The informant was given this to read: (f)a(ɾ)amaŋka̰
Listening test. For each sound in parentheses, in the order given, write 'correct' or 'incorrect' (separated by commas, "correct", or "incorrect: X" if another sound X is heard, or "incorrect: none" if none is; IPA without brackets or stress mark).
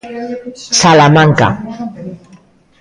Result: incorrect: s, incorrect: l